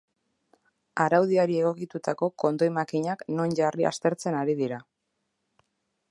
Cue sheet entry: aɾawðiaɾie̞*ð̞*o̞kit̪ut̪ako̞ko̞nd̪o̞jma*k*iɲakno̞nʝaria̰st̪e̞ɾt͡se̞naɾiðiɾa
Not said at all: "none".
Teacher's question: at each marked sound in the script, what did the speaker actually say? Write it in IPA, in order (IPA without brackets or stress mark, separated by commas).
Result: ɣ̞, k